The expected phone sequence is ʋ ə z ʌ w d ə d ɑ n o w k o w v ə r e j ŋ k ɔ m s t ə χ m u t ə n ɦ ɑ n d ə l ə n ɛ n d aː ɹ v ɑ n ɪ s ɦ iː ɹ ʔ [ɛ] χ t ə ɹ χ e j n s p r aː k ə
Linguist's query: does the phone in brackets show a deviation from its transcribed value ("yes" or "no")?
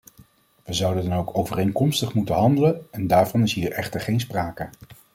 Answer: no